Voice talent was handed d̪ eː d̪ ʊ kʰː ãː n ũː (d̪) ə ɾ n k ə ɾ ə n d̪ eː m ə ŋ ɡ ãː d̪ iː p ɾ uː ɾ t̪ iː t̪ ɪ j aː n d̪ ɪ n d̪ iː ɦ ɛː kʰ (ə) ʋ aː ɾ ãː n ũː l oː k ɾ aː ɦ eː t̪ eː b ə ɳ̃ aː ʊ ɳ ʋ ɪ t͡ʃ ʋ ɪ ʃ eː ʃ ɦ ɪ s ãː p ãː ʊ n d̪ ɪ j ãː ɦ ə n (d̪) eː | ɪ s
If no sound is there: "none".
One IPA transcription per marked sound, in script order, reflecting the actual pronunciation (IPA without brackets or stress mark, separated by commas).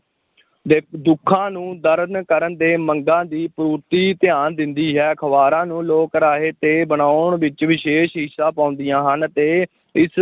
d̪, ə, t̪